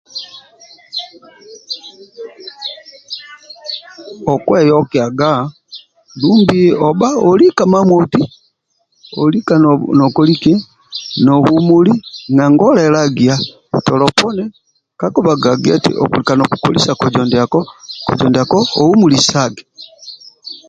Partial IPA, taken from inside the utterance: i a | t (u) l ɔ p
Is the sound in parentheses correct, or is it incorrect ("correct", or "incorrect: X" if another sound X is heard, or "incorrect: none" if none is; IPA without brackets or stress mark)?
incorrect: ɔ